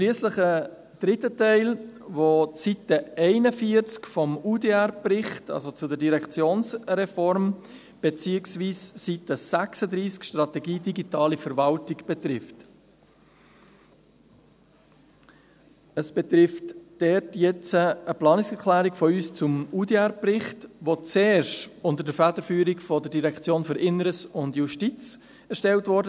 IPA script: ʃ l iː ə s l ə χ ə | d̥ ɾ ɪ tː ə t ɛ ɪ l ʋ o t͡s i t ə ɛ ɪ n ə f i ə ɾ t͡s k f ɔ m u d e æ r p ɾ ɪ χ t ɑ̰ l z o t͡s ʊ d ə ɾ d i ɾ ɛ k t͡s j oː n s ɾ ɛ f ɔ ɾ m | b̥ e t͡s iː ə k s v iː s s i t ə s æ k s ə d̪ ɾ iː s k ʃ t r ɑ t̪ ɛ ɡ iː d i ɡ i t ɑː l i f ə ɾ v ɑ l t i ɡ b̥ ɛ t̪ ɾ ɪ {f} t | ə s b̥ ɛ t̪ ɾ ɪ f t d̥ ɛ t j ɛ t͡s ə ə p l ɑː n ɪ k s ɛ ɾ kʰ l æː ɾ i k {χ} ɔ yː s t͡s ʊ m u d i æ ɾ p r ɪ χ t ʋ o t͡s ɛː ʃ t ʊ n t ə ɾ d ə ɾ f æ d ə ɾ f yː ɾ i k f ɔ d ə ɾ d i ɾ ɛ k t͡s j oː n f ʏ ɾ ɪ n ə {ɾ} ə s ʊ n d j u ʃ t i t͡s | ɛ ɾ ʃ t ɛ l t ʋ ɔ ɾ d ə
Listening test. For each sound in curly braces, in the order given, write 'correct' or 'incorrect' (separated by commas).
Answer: correct, incorrect, correct